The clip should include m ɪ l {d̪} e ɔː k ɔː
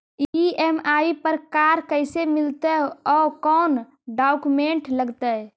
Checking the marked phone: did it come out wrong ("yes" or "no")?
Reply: yes